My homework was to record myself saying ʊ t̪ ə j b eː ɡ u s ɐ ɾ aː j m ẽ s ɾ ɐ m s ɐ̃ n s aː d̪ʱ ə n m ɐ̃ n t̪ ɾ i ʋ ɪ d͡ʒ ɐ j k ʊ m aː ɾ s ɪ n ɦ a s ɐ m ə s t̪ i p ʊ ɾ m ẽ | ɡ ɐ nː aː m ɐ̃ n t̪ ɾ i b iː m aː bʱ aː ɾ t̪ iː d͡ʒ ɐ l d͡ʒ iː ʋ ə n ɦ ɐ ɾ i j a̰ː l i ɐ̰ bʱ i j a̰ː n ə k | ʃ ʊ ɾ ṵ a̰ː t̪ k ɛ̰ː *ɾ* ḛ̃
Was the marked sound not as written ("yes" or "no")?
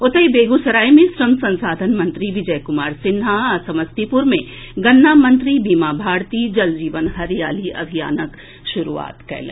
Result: yes